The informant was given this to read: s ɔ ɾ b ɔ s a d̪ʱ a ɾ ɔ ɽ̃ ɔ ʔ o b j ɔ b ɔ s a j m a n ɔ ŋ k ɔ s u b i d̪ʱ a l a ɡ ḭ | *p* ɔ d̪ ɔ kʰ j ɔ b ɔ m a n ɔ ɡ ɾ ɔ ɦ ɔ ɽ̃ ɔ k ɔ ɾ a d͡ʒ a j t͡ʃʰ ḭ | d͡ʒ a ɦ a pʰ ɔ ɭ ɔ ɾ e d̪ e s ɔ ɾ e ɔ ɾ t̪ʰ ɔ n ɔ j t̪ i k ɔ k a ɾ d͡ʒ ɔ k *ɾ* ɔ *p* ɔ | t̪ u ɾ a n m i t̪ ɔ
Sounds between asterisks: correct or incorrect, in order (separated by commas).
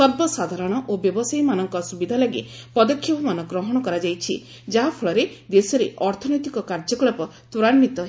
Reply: correct, incorrect, correct